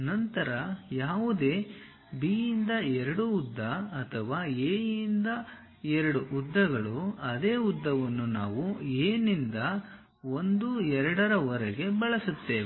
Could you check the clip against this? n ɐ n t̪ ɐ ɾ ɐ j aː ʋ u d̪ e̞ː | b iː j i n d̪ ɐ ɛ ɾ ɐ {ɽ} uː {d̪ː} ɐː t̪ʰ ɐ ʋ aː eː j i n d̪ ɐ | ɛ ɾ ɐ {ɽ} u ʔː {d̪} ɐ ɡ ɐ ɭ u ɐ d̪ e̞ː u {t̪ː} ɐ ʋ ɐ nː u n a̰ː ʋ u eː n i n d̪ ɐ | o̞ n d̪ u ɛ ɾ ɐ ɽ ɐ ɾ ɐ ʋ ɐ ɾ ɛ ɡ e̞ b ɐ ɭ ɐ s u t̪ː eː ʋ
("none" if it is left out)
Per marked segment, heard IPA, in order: ɽ, d̪ː, ɽ, d̪ː, d̪ː

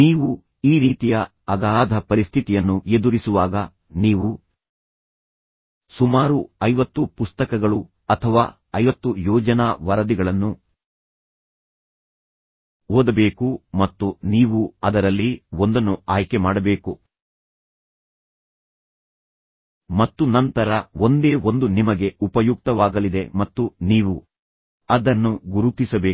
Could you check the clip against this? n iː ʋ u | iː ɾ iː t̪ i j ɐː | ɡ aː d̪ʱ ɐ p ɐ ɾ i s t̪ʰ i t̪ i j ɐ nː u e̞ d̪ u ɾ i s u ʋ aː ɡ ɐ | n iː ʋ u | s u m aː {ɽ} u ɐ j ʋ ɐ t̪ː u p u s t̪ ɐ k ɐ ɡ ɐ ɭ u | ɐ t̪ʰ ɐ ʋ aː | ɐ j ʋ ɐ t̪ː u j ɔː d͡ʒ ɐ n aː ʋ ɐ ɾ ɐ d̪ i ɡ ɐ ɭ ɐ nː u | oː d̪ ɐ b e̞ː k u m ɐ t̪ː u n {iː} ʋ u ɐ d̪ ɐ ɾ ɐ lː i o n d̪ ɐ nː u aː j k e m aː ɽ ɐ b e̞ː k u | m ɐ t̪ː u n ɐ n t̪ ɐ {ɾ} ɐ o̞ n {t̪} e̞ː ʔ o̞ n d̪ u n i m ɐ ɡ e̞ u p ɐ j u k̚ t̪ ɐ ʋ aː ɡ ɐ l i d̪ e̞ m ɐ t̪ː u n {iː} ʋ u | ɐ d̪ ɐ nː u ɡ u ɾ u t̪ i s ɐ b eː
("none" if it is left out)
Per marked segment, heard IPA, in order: ɾ, iː, ɾ, d̪, iː

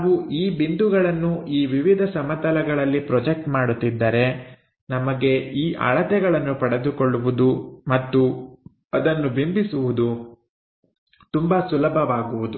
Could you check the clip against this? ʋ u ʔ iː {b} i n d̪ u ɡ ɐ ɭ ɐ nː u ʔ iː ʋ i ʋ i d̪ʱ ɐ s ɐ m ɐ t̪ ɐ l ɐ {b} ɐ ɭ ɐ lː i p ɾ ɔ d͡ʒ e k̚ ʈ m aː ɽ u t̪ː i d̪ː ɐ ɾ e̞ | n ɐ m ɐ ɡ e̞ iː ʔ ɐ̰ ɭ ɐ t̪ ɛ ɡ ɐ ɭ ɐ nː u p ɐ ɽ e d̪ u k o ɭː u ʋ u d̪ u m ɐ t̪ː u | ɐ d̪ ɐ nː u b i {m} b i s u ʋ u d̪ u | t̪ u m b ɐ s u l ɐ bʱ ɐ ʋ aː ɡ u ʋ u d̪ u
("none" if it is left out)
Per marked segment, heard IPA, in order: b, ɡ, m

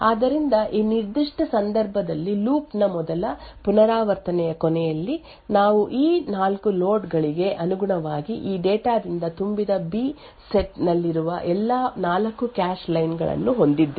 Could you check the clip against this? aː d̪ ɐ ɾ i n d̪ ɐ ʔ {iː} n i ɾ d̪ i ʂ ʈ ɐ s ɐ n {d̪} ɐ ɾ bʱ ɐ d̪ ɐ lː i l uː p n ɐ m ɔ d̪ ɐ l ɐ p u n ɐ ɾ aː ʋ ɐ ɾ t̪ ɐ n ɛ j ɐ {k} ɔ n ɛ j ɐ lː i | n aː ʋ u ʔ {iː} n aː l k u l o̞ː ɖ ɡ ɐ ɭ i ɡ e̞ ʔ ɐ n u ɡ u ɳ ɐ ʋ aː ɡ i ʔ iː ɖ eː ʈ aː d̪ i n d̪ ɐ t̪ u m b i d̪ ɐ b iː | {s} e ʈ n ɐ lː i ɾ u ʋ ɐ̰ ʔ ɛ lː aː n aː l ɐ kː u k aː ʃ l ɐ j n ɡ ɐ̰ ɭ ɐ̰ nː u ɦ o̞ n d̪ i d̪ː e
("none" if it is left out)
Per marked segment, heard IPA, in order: iː, d̪, k, iː, s

